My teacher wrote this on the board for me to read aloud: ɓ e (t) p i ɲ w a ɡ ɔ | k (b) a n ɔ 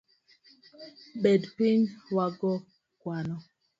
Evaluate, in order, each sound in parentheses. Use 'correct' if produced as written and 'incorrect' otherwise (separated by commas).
incorrect, incorrect